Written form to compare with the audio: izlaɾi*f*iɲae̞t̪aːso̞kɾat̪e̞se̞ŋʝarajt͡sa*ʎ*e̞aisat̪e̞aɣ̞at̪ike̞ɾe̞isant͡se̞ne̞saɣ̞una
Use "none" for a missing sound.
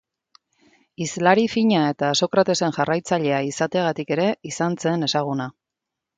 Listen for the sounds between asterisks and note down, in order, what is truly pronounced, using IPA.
f, ʎ

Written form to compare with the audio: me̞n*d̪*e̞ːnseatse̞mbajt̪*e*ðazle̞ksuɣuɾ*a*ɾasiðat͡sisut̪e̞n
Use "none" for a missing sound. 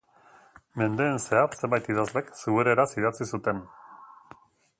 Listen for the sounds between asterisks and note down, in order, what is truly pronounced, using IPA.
d̪, i, e

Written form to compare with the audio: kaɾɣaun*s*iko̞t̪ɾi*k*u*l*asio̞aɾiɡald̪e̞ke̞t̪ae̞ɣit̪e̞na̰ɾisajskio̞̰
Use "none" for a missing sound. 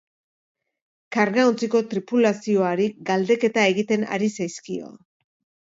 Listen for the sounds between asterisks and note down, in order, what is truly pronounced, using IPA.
t͡s, p, l

